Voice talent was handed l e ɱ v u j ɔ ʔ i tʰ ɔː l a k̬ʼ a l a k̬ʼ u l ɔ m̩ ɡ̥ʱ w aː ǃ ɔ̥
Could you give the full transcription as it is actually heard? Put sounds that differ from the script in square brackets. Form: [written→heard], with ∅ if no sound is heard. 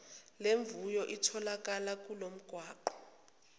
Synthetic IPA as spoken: l e ɱ v u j ɔ ʔ i tʰ [ɔː→ɔ] l a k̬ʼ a l a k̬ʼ u l [ɔ→o] m̩ ɡ̥ʱ w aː ǃ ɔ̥